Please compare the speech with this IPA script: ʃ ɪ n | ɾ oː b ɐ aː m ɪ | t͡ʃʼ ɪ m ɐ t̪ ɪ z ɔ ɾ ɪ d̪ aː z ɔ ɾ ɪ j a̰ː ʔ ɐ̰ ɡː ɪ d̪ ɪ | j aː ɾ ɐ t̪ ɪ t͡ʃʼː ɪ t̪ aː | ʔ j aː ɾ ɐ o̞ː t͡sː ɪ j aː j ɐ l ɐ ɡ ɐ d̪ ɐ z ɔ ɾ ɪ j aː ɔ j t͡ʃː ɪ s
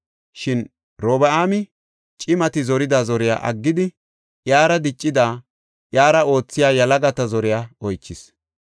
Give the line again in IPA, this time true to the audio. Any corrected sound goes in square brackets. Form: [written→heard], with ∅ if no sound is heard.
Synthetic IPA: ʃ ɪ n | ɾ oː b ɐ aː m ɪ | t͡ʃʼ ɪ m ɐ t̪ ɪ z ɔ ɾ ɪ d̪ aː z ɔ ɾ ɪ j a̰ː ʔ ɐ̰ ɡː ɪ d̪ ɪ | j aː ɾ ɐ [t̪→d̪] ɪ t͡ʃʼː ɪ [t̪→d̪] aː | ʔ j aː ɾ ɐ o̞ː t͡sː ɪ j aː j ɐ l ɐ ɡ ɐ [d̪→t̪] ɐ z ɔ ɾ ɪ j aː ɔ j t͡ʃː ɪ s

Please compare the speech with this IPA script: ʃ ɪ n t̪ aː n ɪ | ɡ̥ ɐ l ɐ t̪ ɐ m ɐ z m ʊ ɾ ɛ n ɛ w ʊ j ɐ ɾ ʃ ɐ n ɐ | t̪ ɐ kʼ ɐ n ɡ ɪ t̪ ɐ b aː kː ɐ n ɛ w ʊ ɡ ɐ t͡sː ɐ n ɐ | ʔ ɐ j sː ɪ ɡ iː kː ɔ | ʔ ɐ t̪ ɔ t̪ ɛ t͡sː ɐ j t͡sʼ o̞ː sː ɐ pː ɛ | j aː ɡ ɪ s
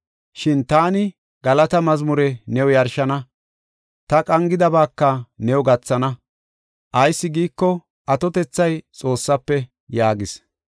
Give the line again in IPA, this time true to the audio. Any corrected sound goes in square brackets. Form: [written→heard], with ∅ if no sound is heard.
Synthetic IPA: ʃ ɪ n t̪ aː n ɪ | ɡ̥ ɐ l ɐ t̪ ɐ m ɐ z m ʊ ɾ ɛ n ɛ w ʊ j ɐ ɾ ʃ ɐ n ɐ | t̪ ɐ kʼ ɐ [n→ŋ] ɡ ɪ [t̪→d̪] ɐ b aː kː ɐ n ɛ w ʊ ɡ ɐ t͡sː ɐ n ɐ | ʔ ɐ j sː ɪ ɡ iː kː ɔ | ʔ ɐ t̪ ɔ t̪ ɛ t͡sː ɐ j t͡sʼ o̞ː sː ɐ pː ɛ | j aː ɡ ɪ s

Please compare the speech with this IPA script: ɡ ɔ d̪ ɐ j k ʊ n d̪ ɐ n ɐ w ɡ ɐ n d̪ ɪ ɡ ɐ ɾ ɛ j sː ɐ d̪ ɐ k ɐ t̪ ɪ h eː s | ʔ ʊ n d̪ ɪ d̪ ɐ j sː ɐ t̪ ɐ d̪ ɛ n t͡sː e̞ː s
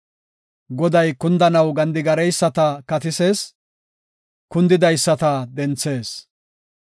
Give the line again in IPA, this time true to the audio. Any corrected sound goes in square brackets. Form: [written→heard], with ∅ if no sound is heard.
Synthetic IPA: ɡ ɔ d̪ ɐ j k ʊ n d̪ ɐ n ɐ w ɡ ɐ n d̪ ɪ ɡ ɐ ɾ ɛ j sː ɐ [d̪→t̪] ɐ k ɐ t̪ ɪ [h→s] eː s | [ʔ→k] ʊ n d̪ ɪ d̪ ɐ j sː ɐ t̪ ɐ d̪ ɛ n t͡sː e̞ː s

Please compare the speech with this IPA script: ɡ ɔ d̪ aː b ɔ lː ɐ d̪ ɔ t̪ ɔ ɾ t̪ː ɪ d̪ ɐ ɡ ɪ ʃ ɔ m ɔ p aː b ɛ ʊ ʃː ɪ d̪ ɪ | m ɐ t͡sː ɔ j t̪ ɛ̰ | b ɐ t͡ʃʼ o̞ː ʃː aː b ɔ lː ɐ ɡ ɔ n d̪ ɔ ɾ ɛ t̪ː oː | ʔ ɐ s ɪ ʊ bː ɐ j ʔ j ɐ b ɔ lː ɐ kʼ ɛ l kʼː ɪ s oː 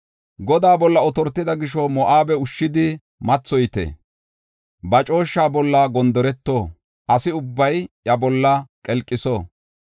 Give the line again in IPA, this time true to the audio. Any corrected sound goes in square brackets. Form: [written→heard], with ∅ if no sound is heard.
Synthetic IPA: ɡ ɔ d̪ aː b ɔ lː ɐ [d̪→∅] ɔ t̪ ɔ ɾ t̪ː ɪ d̪ ɐ ɡ ɪ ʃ ɔ m ɔ [p→ʔ] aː b ɛ ʊ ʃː ɪ d̪ ɪ | m ɐ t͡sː ɔ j t̪ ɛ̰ | b ɐ t͡ʃʼ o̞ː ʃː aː b ɔ lː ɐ ɡ ɔ n d̪ ɔ ɾ ɛ t̪ː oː | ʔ ɐ s ɪ ʊ bː ɐ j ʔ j ɐ b ɔ lː ɐ kʼ ɛ l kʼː ɪ s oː

